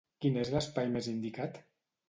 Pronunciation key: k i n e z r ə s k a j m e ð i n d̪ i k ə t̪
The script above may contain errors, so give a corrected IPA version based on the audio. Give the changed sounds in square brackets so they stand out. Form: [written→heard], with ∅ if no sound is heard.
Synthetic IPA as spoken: k i n e z [r→l] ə s [k→p] a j m e [ð→z] i n d̪ i k [ə→a] t̪